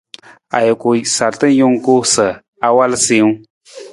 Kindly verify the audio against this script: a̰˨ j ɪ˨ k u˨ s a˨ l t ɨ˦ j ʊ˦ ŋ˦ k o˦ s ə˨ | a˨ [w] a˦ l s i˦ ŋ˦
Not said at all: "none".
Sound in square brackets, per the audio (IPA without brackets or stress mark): w